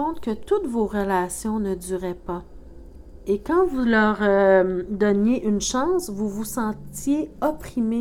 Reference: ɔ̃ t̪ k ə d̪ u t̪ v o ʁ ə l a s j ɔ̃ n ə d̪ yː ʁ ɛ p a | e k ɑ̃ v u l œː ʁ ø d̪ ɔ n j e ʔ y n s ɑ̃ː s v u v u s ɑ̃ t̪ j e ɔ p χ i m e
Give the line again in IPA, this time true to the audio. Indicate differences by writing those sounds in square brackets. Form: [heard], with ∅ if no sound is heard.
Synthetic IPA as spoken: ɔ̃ t̪ k ə [t̪] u t̪ v o ʁ ə l a s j ɔ̃ n ə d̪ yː ʁ ɛ p a | e k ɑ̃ v u l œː ʁ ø d̪ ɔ n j e ʔ y n [ʃ] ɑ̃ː s v u v u s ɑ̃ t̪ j e ɔ p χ i m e